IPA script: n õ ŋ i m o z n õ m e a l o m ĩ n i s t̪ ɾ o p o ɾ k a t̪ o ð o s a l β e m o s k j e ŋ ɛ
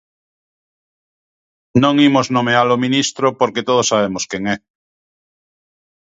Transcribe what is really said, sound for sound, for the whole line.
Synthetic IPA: n õ ŋ i m o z n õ m e a l o m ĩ n i s t̪ ɾ o p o ɾ k e t̪ o ð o s a β e m o s k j e ŋ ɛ